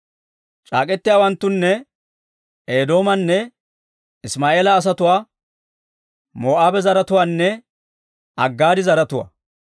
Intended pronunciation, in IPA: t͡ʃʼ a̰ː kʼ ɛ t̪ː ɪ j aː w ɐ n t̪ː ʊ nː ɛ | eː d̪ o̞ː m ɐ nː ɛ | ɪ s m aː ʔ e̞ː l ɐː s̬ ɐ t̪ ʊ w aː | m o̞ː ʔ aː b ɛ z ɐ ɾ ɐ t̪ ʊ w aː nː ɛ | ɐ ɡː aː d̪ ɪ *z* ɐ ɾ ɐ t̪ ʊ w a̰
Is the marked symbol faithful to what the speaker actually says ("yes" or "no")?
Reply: yes